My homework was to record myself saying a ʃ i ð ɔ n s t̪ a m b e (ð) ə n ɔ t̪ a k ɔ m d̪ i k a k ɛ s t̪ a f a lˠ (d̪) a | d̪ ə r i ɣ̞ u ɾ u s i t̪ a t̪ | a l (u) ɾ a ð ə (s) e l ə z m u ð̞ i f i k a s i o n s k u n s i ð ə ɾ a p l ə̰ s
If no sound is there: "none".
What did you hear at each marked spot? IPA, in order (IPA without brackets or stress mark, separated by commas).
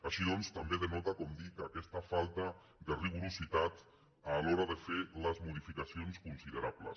ð, t̪, ɔ, f